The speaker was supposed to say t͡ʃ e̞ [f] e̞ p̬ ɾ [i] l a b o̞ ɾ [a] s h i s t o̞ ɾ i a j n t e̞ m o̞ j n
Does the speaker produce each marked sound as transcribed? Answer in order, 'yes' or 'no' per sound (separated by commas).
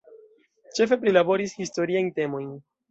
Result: yes, yes, no